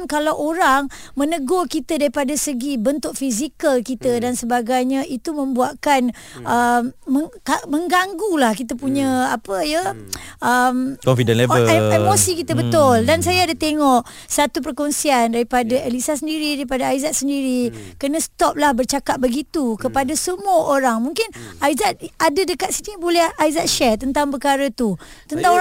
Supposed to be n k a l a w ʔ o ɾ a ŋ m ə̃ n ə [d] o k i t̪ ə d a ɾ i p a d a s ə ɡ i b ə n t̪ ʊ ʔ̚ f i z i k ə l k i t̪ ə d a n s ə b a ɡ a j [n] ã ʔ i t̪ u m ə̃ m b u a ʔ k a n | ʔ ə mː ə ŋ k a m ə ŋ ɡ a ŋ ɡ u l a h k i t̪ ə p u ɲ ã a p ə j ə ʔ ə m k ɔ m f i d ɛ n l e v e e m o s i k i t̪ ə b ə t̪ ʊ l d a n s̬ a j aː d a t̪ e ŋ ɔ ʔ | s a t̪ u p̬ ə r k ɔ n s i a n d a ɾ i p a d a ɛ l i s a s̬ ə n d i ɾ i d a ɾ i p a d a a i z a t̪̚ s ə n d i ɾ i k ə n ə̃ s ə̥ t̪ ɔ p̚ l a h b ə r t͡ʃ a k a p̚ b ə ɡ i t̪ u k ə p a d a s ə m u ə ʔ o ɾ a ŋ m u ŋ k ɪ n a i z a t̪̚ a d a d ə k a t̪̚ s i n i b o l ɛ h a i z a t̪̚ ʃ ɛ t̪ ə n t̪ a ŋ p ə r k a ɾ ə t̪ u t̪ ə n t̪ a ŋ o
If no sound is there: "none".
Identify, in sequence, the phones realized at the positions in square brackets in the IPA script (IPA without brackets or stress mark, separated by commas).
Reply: ɡ, ɲ